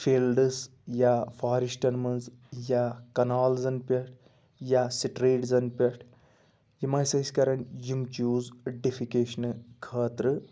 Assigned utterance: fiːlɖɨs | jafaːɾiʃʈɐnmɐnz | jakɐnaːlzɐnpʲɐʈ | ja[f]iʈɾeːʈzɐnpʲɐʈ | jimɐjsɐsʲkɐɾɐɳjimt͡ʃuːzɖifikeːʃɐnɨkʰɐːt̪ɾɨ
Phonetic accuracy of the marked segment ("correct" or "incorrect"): incorrect